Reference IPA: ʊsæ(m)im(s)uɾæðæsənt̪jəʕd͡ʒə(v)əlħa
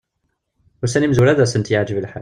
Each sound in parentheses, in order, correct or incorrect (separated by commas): incorrect, incorrect, correct